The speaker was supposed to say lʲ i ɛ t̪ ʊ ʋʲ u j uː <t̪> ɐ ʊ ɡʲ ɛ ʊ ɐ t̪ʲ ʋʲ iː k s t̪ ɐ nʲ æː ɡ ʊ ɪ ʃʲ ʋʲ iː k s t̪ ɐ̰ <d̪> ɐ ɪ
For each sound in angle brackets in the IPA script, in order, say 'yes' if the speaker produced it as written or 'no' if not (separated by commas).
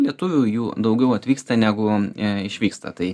no, no